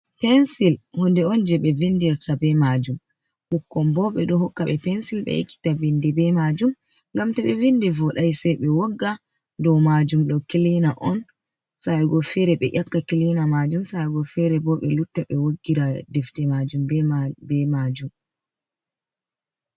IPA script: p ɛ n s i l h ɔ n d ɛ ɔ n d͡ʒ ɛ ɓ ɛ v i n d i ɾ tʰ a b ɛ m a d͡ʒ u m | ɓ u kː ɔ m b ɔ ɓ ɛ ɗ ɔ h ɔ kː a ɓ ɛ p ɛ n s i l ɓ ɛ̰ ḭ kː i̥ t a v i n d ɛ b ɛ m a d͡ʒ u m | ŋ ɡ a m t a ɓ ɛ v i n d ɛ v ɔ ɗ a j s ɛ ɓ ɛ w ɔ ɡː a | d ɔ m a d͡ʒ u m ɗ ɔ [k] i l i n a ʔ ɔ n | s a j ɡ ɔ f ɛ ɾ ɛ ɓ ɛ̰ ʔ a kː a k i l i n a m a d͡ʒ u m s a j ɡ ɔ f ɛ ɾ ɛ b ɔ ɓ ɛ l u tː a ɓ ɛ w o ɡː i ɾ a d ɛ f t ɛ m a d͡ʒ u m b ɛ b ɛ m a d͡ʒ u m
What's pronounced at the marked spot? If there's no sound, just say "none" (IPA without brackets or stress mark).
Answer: k